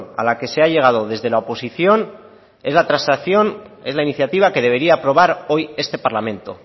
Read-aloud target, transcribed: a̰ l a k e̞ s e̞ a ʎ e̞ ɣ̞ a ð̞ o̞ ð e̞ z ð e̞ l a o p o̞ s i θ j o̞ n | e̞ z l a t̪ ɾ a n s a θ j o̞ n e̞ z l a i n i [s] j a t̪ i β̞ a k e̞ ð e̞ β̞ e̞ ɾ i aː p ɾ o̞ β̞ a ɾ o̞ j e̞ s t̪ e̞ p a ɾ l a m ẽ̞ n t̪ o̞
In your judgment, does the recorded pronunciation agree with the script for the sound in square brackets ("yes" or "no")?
no